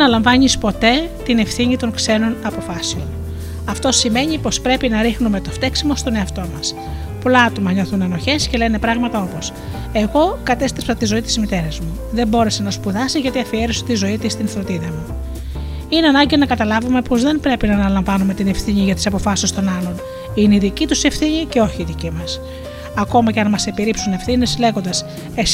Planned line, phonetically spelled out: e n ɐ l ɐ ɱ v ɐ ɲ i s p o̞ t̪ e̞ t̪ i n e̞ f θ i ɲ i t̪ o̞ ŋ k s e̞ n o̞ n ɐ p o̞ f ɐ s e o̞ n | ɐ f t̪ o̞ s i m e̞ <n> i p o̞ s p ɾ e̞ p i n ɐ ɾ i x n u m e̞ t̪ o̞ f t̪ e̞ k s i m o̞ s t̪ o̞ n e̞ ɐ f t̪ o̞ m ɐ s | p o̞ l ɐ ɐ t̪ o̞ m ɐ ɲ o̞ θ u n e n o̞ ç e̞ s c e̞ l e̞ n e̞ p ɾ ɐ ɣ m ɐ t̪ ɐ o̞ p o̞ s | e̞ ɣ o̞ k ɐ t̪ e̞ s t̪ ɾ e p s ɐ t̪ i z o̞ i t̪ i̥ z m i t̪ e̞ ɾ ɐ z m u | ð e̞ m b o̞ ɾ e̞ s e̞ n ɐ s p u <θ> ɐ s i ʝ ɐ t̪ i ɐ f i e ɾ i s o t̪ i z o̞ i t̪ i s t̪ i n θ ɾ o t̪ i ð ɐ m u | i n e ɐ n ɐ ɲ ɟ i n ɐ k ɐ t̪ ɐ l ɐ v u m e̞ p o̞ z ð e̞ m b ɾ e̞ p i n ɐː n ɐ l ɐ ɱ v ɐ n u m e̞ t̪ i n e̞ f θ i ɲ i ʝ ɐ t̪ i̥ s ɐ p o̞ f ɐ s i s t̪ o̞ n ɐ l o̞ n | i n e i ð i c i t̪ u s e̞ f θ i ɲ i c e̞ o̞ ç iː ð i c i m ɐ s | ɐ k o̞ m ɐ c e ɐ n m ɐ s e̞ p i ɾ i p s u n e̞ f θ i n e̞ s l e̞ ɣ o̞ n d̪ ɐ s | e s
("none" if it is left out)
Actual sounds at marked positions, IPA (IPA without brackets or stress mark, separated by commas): ɲ, ð